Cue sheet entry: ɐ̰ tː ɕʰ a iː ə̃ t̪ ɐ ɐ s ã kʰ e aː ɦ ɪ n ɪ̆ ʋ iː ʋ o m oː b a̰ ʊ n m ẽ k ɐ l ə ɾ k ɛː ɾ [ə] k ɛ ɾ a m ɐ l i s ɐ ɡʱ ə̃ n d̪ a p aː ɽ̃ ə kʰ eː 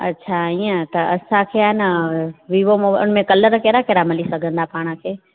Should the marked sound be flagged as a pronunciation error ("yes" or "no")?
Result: yes